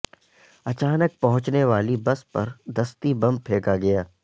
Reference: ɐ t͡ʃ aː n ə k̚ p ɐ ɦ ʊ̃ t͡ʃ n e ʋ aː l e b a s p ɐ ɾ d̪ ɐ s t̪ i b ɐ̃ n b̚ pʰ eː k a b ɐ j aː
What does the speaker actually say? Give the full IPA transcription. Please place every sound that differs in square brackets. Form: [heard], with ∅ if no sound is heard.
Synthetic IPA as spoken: ɐ t͡ʃ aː n ə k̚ p ɐ ɦ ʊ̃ t͡ʃ n e ʋ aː l [i] b [ɐ] s p ɐ ɾ d̪ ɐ s t̪ i b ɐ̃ [m] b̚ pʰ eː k a [ɡ] ɐ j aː